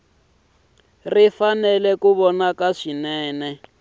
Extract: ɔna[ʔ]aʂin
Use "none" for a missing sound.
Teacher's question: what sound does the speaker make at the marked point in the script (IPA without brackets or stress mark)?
k